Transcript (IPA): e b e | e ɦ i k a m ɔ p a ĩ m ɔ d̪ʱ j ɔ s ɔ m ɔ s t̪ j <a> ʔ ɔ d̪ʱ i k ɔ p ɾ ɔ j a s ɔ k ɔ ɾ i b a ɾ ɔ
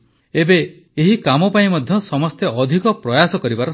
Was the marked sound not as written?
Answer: yes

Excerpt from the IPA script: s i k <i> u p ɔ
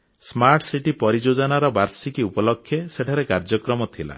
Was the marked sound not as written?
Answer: no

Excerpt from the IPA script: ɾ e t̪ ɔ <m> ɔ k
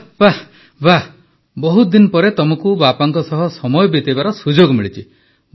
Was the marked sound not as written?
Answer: no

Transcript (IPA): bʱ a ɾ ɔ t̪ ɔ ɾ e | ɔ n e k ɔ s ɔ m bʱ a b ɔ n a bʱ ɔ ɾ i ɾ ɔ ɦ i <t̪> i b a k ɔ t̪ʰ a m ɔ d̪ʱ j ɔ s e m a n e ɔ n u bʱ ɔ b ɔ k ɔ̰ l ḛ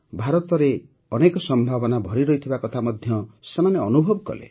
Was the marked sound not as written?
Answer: yes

